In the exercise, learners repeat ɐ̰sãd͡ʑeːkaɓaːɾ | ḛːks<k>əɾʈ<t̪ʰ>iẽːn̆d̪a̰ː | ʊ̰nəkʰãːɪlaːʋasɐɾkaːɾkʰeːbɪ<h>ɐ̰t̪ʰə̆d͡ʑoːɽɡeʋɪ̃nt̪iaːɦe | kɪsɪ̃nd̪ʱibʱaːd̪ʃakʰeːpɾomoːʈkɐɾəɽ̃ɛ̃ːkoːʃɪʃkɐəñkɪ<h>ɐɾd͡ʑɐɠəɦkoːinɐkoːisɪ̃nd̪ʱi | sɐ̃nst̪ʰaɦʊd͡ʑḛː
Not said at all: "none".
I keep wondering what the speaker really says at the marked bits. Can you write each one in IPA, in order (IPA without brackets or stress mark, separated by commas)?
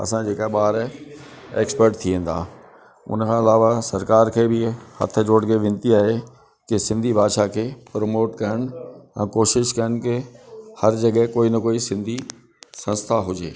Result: p, t̪ʰ, h, h